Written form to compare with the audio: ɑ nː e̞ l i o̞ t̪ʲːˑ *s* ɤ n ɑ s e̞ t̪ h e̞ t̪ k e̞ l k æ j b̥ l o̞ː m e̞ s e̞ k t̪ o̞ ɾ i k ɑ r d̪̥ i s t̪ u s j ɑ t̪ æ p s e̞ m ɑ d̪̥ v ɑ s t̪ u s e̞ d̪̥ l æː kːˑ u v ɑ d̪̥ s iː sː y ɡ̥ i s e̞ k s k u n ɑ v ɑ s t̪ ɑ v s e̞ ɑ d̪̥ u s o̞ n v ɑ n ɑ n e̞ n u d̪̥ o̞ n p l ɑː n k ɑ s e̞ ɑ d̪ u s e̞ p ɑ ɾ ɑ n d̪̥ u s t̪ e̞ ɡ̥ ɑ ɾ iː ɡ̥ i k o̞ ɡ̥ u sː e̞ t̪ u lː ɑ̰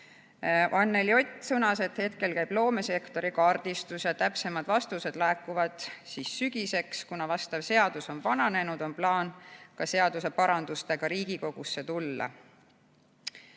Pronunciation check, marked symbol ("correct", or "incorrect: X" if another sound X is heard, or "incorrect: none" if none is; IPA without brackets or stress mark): correct